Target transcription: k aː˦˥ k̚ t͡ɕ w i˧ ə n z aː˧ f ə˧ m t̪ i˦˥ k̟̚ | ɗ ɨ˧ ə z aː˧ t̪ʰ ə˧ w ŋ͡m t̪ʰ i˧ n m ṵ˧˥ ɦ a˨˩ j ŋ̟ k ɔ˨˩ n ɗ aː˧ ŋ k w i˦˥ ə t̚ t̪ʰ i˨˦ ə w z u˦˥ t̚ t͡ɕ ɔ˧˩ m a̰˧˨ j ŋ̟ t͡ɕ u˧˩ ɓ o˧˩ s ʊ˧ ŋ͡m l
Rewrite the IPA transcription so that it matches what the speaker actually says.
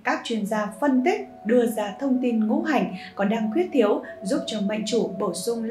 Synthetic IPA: k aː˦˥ k̚ t͡ɕ w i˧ ə n z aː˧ f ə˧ n t̪ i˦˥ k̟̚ | ɗ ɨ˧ ə z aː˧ t̪ʰ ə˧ w ŋ͡m t̪ i˧ n ŋ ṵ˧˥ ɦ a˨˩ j ŋ̟ k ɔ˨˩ n ɗ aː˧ ŋ k w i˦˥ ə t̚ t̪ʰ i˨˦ ə w z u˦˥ p̚ t͡ɕ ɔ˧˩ m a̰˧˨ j ŋ̟ t͡ɕ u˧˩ ɓ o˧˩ s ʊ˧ ŋ͡m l